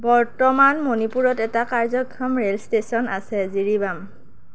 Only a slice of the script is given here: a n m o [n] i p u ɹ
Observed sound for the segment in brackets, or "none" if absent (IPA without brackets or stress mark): n